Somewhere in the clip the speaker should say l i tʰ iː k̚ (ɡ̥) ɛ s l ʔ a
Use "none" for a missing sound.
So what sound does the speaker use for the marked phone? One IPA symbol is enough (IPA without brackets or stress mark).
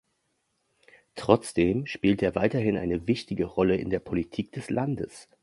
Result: d̥